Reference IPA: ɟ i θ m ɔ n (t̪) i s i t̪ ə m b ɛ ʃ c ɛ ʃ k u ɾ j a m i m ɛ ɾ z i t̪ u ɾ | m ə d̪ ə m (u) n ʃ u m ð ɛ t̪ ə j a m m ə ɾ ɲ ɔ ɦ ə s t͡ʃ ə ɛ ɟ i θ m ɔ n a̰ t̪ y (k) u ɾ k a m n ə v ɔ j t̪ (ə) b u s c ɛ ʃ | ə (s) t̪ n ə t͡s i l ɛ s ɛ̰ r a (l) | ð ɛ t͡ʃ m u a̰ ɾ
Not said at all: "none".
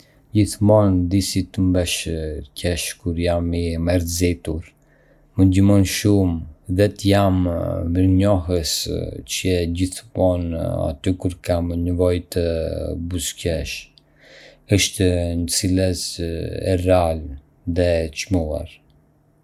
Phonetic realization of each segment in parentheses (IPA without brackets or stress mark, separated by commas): d̪, ɔ, k, ə, ʃ, l